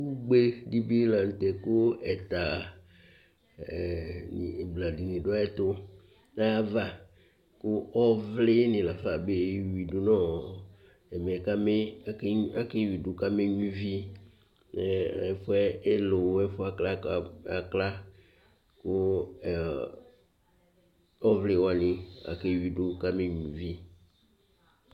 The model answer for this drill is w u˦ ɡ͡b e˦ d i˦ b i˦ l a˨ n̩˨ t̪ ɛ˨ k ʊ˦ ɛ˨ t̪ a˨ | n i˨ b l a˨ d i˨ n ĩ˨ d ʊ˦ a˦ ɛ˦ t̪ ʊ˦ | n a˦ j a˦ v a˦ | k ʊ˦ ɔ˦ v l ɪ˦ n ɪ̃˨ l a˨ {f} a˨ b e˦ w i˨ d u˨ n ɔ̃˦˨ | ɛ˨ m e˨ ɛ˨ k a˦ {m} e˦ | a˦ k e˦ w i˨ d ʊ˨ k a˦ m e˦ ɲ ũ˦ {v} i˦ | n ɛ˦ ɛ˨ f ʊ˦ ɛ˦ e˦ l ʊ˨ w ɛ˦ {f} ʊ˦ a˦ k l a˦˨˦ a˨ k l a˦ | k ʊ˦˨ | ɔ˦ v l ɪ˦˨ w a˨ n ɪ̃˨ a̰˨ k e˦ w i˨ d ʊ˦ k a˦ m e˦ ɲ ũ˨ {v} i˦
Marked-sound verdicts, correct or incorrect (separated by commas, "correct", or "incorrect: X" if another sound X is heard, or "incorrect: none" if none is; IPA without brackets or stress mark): correct, correct, correct, correct, correct